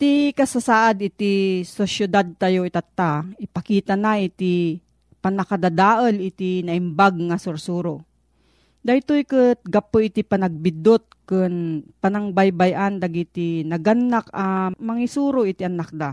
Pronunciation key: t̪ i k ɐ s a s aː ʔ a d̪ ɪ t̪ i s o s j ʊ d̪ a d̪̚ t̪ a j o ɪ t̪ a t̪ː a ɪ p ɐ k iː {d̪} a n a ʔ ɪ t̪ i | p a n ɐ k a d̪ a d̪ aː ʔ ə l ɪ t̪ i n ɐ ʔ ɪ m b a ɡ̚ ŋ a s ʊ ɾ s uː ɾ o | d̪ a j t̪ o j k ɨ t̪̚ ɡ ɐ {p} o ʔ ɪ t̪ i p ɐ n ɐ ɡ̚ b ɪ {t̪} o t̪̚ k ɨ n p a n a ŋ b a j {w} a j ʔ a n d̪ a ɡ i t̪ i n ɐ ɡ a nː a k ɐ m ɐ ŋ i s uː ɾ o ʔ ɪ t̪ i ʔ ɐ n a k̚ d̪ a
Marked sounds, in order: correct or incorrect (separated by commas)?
incorrect, correct, incorrect, incorrect